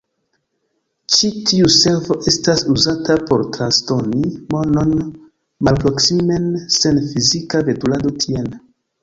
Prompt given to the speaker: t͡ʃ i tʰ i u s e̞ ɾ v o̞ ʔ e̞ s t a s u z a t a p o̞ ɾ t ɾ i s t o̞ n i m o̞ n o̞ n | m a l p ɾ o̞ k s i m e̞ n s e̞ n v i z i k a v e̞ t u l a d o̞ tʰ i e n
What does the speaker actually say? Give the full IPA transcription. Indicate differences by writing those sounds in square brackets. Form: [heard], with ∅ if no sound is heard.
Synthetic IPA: t͡ʃ i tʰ i u s e̞ ɾ v o̞ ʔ e̞ s t a s u z a t a p o̞ ɾ t ɾ [a] s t o̞ n i m o̞ n o̞ n | m a l p ɾ o̞ k s i m e̞ n s e̞ n [f] i z i k a v e̞ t u l a d o̞ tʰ i e n